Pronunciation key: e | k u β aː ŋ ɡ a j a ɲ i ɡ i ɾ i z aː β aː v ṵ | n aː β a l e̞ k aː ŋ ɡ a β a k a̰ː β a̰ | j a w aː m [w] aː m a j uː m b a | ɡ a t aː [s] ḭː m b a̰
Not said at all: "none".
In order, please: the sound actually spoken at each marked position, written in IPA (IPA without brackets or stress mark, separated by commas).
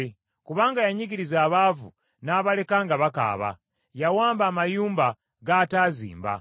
b, z